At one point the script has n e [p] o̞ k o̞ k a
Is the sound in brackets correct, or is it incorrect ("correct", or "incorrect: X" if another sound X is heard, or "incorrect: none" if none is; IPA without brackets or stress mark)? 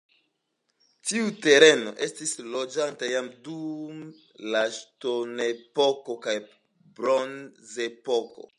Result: correct